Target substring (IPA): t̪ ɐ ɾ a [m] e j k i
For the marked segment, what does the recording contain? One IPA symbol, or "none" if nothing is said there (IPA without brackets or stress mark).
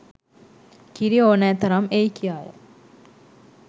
m